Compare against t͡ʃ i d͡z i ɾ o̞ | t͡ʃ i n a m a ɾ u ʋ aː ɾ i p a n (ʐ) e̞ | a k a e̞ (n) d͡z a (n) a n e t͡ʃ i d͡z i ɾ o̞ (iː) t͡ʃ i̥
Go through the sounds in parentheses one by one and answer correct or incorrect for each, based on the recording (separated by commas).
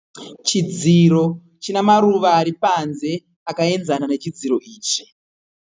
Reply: incorrect, correct, correct, correct